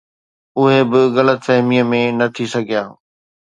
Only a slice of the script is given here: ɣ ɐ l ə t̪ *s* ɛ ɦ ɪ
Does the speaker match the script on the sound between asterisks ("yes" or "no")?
no